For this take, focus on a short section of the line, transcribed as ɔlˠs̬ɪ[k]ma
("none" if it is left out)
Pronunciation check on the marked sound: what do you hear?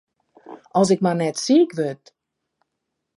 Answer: k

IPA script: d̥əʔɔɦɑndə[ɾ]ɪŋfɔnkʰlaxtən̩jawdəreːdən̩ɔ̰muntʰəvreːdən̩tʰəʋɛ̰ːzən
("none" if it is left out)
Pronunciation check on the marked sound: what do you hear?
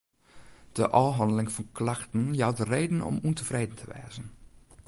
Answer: l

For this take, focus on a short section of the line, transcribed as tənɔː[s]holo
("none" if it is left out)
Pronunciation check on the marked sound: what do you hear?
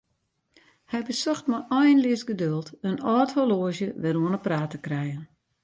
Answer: t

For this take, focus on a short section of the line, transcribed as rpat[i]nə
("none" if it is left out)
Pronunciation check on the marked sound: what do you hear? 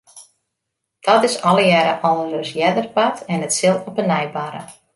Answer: ɛ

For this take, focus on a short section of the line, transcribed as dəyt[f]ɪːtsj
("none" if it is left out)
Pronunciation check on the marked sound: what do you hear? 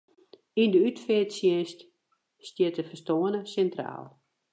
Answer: f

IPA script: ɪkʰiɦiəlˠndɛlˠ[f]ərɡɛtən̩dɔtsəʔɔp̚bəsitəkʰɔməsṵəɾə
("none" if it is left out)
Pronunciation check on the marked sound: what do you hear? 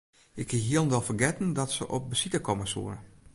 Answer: f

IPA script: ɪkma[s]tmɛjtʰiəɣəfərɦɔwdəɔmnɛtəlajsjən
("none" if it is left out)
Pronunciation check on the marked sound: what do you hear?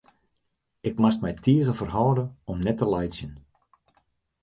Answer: s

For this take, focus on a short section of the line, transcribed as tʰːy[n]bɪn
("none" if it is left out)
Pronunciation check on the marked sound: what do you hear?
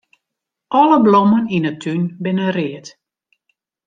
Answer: n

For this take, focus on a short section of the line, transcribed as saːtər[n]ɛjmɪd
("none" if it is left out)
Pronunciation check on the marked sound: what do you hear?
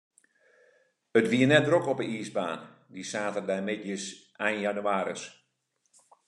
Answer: d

